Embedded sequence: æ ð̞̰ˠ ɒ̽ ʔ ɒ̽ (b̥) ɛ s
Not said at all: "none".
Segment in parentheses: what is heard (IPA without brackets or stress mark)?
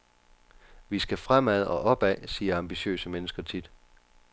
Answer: b̥